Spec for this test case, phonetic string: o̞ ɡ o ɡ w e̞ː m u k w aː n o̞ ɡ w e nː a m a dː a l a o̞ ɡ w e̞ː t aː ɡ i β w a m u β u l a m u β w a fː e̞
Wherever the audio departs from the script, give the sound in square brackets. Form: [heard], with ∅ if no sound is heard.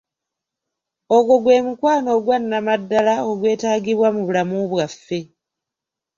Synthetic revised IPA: o̞ ɡ o ɡ w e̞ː m u k w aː n o̞ ɡ w [a] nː a m a dː a l a o̞ ɡ w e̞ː t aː ɡ i β w a m u β u l a m u β w a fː e̞